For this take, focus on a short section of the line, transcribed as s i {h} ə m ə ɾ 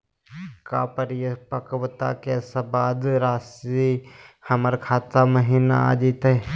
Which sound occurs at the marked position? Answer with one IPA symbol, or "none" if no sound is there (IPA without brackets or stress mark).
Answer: h